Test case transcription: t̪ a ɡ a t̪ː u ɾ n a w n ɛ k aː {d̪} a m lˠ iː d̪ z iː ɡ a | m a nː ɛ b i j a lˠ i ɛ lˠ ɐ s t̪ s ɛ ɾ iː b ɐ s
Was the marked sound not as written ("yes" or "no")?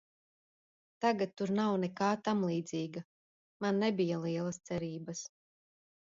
yes